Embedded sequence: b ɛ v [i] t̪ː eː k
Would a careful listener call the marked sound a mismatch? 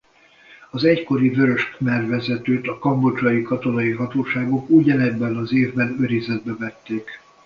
yes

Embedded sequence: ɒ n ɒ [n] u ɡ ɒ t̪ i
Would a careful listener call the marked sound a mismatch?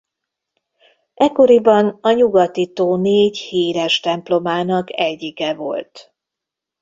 yes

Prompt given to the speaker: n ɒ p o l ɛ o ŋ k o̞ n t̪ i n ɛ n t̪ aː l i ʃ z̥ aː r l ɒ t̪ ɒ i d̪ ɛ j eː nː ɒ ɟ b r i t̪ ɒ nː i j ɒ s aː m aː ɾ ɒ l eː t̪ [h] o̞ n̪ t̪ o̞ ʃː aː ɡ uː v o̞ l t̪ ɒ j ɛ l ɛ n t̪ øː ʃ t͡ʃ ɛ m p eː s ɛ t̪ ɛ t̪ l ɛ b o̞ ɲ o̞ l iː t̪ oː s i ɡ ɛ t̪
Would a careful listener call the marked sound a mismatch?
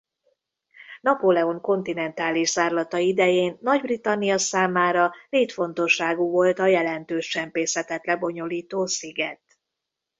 yes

